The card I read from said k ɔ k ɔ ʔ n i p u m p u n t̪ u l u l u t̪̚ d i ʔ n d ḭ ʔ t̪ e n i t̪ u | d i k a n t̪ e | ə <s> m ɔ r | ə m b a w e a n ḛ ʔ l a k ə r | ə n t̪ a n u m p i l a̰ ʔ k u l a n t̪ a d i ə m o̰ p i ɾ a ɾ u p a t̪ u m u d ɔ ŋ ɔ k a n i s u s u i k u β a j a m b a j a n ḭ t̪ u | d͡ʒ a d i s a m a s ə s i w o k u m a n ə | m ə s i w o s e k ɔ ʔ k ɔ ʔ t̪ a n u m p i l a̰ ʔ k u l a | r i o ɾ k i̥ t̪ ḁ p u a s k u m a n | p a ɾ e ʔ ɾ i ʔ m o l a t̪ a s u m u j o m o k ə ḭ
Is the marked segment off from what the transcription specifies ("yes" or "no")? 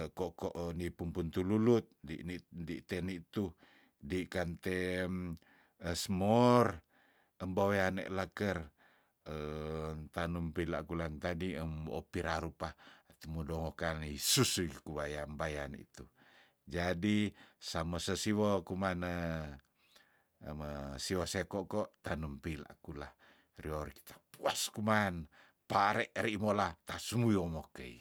no